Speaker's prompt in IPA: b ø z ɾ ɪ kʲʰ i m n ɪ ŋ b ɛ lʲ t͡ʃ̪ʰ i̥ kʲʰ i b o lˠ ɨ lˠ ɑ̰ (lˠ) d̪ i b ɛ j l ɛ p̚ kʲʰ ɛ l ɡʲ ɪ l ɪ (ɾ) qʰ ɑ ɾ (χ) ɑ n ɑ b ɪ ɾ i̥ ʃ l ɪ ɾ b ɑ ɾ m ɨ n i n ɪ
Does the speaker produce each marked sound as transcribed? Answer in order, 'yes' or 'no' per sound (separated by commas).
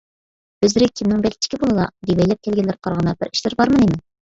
no, yes, no